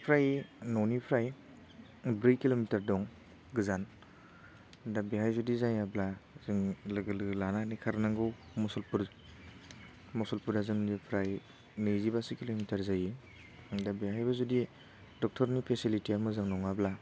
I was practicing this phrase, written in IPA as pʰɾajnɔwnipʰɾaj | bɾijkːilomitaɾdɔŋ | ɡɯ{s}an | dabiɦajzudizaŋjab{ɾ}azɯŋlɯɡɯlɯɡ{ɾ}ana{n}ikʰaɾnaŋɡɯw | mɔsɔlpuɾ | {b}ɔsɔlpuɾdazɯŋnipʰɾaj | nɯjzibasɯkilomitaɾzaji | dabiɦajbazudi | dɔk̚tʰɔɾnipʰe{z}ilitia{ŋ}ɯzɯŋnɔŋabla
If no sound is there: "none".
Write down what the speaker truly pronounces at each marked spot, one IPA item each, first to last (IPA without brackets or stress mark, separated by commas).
z, l, l, n, m, s, m